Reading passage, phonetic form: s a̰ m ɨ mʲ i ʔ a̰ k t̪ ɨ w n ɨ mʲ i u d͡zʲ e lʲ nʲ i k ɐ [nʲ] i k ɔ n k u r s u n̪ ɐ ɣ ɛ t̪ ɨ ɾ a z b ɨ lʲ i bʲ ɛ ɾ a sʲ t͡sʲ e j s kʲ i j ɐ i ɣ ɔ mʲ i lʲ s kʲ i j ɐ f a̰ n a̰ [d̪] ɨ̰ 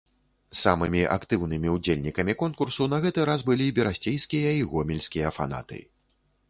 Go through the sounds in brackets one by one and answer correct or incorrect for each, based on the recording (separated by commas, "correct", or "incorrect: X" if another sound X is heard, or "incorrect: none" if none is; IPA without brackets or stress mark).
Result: incorrect: mʲ, incorrect: t̪